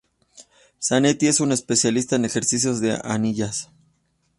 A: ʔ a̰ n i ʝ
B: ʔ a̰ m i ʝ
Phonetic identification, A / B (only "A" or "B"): A